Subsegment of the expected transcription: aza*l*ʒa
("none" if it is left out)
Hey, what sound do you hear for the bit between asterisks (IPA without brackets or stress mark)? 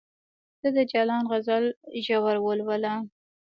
l